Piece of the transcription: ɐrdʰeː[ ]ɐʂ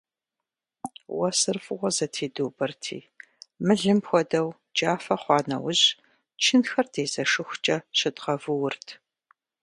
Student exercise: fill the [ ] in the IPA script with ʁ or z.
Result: z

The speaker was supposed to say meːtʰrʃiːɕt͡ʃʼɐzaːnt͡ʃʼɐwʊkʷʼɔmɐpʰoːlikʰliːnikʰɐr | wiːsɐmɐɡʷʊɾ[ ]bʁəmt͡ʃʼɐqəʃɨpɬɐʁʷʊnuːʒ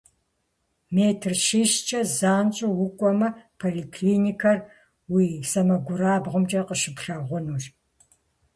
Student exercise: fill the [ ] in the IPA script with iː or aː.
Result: aː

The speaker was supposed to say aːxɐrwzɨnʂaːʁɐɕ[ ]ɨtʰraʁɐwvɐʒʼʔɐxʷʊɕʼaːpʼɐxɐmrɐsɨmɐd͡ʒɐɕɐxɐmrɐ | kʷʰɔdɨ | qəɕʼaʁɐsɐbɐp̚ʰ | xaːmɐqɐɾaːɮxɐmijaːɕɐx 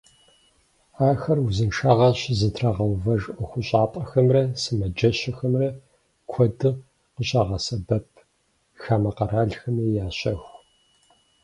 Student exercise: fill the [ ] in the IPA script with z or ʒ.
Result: z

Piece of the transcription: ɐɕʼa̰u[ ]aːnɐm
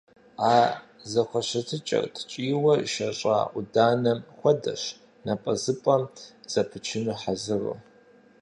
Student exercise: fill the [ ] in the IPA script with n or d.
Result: d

